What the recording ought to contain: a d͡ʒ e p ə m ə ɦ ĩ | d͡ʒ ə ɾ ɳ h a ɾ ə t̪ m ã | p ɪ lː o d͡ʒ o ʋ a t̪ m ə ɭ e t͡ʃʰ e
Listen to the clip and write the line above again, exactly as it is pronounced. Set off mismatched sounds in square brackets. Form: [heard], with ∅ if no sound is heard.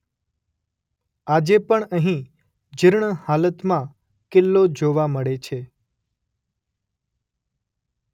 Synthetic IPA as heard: a d͡ʒ e p ə [ɳ] ə ɦ ĩ | d͡ʒ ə ɾ ɳ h a [l] ə t̪ m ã | [k] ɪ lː o d͡ʒ o ʋ a [∅] m ə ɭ e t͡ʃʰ e